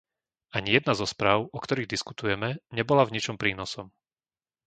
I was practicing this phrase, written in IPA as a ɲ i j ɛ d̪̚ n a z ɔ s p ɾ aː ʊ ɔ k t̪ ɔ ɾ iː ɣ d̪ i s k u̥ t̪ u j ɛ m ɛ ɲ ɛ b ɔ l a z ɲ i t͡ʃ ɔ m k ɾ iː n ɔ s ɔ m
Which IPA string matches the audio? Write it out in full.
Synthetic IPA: a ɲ i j ɛ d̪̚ n a z ɔ s p ɾ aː ʊ ɔ k t̪ ɔ ɾ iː ɣ d̪ i s k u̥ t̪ u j ɛ m ɛ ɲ ɛ b ɔ l a v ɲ i t͡ʃ ɔ m p ɾ iː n ɔ s ɔ m

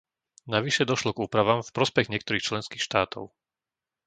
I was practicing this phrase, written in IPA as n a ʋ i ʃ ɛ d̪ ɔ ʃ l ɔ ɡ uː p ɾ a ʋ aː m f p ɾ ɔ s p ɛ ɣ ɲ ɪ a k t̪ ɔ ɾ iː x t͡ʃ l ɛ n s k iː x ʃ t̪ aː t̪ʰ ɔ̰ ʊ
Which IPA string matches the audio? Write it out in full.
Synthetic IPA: n a ʋ i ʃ ɛ d̪ ɔ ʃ l ɔ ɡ uː p ɾ a ʋ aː m f p ɾ ɔ s p ɛ ɣ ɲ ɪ ɛ k t̪ ɔ ɾ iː x t͡ʃ l ɛ n s k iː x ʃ t̪ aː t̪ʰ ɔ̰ ʊ

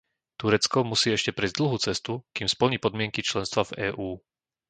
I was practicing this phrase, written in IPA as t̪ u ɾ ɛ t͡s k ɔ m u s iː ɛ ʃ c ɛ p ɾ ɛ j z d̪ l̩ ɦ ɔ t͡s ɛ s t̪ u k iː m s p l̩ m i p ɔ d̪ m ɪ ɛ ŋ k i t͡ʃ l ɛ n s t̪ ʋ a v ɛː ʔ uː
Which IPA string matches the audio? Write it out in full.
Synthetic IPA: t̪ u ɾ ɛ t͡s k ɔ m u s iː ɛ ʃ c ɛ p ɾ ɛ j z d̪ l̩ ɦ u t͡s ɛ s t̪ u k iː m s p l̩ ɲ i p ɔ d̪ m ɪ ɛ ŋ k i t͡ʃ l ɛ n s t̪ ʋ a v ɛː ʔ uː

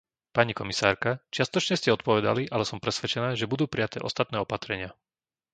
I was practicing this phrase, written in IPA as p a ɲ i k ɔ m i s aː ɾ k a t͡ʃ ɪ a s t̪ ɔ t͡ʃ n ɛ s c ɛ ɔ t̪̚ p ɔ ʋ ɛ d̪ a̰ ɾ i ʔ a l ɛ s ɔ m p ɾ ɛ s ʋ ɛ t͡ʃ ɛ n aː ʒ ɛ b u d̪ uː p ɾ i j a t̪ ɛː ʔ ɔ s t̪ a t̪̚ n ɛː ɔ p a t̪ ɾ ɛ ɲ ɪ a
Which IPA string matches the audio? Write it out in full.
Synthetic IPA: p a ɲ i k ɔ m i s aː ɾ k a t͡ʃ ɪ a s t̪ ɔ t͡ʃ ɲ ɛ s c ɛ ɔ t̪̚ p ɔ ʋ ɛ d̪ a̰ l i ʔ a l ɛ s ɔ m p ɾ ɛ s ʋ ɛ t͡ʃ ɛ n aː ʒ ɛ b u d̪ uː p ɾ i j a t̪ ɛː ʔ ɔ s t̪ a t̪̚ n ɛː ɔ p a t̪ ɾ ɛ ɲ ɪ a

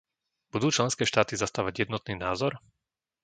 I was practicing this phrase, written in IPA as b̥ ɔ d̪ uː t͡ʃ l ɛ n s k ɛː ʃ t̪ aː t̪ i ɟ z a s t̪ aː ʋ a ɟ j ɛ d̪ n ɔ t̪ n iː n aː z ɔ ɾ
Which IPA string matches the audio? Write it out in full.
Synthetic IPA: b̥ u d̪ uː t͡ʃ l ɛ n s k ɛː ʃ t̪ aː t̪ i z a s t̪ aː ʋ a ɟ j ɛ d̪ n ɔ t̪ n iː n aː z ɔ ɾ

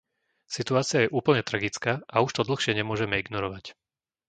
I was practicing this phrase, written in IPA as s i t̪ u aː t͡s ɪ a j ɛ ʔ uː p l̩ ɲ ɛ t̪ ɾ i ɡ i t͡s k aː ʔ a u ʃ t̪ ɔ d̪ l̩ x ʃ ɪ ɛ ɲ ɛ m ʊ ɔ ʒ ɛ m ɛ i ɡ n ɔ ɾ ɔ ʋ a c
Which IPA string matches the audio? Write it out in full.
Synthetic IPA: s i t̪ u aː t͡s ɪ a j ɛ ʔ uː p l̩ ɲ ɛ t̪ ɾ a ɡ i t͡s k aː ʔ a u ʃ t̪ ɔ d̪ l̩ x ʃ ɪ ɛ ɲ ɛ m ʊ ɔ ʒ ɛ m ɛ i ɡ n ɔ ɾ ɔ ʋ a c

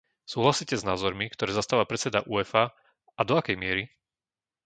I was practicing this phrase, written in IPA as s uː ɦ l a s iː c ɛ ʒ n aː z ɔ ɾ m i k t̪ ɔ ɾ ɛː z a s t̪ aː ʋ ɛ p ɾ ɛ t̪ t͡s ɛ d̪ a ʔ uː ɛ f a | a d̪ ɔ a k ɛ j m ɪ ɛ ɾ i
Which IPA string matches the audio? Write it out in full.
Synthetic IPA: s uː ɦ l a s iː c ɛ z n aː z ɔ ɾ m i k t̪ ɔ ɾ ɛː z a s t̪ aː ʋ a p ɾ ɛ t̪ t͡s ɛ d̪ a ʔ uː ɛ f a | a d̪ ɔ a k ɛ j m ɪ ɛ ɾ i

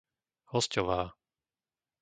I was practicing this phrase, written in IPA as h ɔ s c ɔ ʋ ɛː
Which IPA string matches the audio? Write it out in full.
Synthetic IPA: h ɔ s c ɔ ʋ aː

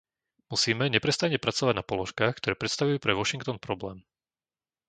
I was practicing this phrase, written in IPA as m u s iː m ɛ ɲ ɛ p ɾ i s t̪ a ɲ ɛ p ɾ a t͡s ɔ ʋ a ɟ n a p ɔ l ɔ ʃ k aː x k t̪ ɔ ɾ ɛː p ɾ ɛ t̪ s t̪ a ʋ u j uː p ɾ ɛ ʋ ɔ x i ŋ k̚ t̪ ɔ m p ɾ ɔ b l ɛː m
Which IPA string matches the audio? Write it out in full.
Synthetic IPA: m u s iː m ɛ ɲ ɛ p ɾ ɛ s t̪ a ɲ ɛ p ɾ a t͡s ɔ ʋ a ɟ n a p ɔ l ɔ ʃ k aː x k t̪ ɔ ɾ ɛː p ɾ ɛ t̪ s t̪ a ʋ u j uː p ɾ ɛ ʋ ɔ ʃ i ŋ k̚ t̪ ɔ n p ɾ ɔ b l ɛː m

